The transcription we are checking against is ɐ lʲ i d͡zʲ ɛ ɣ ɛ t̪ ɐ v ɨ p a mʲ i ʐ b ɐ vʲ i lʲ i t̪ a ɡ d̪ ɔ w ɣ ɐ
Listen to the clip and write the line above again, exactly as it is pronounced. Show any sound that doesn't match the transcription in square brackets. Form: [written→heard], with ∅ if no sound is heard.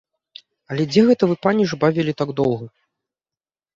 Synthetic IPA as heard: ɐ lʲ [i→ɛ] d͡zʲ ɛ ɣ ɛ t̪ ɐ v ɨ p a [mʲ→nʲ] i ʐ b [ɐ→a] vʲ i lʲ i t̪ a ɡ d̪ ɔ w ɣ ɐ